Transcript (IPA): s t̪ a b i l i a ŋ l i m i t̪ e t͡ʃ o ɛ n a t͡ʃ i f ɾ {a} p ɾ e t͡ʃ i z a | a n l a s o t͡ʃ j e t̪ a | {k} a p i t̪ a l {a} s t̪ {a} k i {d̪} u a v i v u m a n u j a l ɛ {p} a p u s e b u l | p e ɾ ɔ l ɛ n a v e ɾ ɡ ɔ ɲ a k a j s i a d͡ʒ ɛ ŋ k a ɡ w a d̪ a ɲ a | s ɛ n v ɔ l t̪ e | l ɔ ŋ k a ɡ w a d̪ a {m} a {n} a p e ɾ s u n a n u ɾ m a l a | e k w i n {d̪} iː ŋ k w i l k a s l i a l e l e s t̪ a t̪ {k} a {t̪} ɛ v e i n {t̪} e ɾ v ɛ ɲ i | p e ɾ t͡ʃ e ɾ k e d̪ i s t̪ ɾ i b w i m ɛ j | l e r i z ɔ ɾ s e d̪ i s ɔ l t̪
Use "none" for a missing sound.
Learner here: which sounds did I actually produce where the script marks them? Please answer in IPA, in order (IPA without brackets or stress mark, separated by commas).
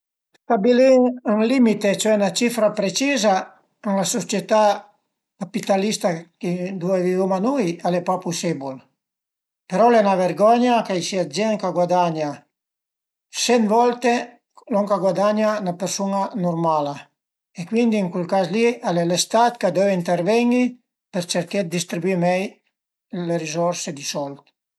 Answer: a, k, i, a, d̪, p, ɲ, n, d̪, k, d̪, t̪